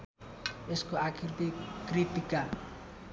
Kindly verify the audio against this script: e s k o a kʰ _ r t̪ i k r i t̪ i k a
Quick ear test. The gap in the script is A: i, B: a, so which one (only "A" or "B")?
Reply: A